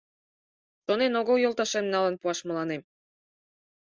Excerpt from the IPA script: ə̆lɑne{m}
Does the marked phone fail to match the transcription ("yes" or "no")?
no